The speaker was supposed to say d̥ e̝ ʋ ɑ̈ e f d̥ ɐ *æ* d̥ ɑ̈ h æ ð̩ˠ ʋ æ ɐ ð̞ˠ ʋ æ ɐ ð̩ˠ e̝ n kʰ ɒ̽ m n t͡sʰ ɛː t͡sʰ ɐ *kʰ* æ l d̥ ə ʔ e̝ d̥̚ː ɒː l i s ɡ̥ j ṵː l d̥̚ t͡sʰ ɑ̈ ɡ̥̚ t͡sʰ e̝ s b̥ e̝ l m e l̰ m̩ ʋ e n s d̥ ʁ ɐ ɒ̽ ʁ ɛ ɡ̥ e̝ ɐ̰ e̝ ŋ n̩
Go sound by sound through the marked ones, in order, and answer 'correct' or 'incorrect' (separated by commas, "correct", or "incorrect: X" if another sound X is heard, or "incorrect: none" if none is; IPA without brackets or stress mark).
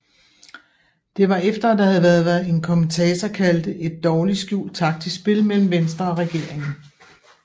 correct, correct